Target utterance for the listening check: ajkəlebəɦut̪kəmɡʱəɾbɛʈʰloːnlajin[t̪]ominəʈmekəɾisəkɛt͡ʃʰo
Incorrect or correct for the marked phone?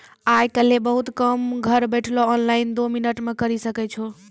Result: incorrect: d̪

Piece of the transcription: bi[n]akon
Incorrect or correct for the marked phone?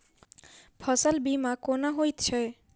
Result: incorrect: m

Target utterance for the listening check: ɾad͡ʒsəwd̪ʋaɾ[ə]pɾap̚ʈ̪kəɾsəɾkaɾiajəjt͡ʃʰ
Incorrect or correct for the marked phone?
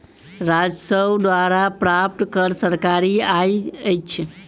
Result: incorrect: a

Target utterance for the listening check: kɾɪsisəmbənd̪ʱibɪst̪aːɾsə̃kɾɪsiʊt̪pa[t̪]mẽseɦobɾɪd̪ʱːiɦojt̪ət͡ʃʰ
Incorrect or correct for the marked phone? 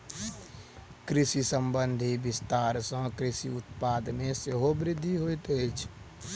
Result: incorrect: d̪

